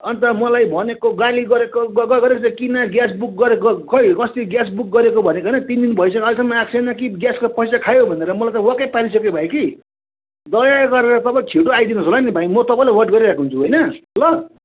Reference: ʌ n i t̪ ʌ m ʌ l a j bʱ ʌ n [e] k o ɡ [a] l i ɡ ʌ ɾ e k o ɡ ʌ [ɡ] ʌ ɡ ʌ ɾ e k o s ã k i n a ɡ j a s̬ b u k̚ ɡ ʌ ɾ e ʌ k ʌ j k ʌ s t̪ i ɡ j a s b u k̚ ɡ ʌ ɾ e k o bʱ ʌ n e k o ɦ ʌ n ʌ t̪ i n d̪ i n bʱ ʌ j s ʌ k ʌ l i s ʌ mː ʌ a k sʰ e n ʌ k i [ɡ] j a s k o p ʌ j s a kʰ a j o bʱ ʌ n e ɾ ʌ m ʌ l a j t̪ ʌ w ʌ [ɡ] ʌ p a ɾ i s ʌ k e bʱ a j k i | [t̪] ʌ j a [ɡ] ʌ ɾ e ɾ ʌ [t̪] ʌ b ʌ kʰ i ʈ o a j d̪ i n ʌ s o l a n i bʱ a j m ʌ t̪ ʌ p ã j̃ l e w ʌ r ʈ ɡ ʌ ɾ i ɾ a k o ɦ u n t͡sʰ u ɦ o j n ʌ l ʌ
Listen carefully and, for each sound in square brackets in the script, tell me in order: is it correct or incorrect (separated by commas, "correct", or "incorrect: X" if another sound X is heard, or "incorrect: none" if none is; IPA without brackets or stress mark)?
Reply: correct, correct, correct, correct, incorrect: k, incorrect: d̪, correct, correct